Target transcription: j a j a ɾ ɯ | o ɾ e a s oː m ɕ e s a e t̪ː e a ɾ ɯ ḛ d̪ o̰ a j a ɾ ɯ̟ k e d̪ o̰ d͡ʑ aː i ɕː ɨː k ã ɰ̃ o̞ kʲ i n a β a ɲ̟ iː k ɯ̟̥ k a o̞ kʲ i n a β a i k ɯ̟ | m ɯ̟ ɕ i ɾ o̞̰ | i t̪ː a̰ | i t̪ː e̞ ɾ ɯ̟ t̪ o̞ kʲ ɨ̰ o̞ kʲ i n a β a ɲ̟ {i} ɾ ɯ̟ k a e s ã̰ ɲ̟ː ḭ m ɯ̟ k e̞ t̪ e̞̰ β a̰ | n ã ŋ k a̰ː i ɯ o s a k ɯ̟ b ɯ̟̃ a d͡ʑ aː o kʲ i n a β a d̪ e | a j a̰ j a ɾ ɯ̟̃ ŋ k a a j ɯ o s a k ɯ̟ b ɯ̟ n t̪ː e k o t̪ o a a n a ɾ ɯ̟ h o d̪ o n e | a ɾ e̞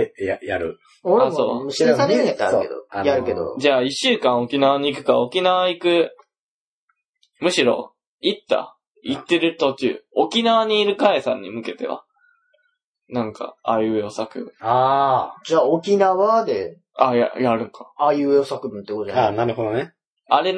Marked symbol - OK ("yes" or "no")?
no